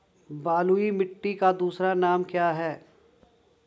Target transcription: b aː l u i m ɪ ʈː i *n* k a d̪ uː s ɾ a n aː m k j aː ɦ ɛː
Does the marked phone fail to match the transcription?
yes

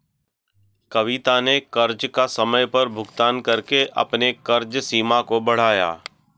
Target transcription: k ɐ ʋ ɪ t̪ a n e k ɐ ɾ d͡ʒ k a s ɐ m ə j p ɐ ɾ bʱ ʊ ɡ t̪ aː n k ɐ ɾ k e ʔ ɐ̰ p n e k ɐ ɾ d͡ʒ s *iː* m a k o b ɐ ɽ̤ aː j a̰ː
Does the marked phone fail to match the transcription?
no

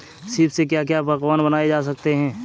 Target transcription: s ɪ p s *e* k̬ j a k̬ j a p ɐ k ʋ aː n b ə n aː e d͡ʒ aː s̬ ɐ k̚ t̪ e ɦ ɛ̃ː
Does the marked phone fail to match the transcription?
no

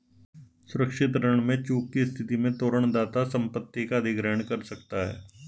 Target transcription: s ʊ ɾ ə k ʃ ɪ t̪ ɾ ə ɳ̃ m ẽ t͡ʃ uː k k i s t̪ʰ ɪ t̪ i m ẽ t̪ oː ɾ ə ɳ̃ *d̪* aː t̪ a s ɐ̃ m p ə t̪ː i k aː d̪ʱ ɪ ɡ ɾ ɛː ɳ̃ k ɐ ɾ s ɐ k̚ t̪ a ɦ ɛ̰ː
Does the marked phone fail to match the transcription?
no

